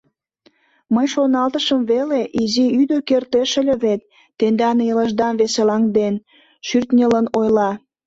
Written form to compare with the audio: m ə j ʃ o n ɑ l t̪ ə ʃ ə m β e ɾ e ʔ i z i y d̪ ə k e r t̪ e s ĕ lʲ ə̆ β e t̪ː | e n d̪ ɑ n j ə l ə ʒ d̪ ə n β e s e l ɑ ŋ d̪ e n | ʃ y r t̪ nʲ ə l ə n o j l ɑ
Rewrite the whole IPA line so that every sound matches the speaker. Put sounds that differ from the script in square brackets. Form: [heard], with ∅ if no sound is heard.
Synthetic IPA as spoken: m ə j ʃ o n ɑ l t̪ ə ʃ ə m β e [l] e ʔ i z i y d̪ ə k e r t̪ e [ʃ] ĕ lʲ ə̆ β e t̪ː | e n d̪ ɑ n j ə l ə ʒ d̪ [ɑ] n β e s e l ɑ ŋ d̪ e n | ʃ y r t̪ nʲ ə l ə n o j l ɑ